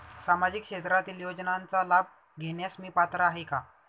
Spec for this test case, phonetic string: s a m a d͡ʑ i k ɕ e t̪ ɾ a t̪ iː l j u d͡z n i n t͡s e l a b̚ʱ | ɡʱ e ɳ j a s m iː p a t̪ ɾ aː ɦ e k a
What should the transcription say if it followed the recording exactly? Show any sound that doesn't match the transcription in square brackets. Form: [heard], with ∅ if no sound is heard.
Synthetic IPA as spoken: s a m a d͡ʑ i k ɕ e t̪ ɾ a t̪ iː l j [o] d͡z n [a] n t͡s [a] l a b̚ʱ | ɡʱ e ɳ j a s m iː p a t̪ ɾ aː ɦ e k a